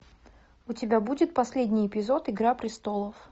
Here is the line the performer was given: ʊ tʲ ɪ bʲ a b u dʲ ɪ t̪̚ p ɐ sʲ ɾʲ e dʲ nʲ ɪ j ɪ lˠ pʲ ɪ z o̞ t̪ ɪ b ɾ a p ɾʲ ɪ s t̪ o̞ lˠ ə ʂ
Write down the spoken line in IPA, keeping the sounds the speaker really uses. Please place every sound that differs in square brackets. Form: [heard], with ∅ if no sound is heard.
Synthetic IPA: ʊ tʲ ɪ bʲ a b u dʲ ɪ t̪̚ p ɐ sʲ [lʲ] e dʲ nʲ ɪ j ɪ [∅] pʲ ɪ z o̞ t̪ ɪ [ɡ] ɾ a p ɾʲ ɪ s t̪ o̞ lˠ ə [f]